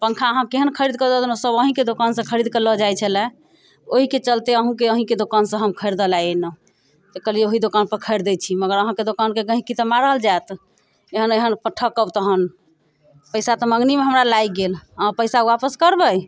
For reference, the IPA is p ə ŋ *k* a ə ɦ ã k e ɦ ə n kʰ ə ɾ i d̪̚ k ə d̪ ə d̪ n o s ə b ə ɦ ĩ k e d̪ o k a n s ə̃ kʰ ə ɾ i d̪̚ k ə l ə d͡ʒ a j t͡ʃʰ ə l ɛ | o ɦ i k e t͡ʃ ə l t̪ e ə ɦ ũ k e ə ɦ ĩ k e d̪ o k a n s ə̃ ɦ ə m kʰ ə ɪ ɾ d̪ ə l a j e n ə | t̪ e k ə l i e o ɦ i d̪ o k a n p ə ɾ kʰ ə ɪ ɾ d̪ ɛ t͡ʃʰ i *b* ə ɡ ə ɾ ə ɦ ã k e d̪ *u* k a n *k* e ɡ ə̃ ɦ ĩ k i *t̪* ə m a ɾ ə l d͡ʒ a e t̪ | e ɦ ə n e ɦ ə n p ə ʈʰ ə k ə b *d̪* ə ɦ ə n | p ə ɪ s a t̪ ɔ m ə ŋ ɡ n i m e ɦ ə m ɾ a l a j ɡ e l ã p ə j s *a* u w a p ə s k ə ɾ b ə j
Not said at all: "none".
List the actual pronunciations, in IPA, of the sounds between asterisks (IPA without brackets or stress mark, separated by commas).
kʰ, m, o, k, t̪, t̪, a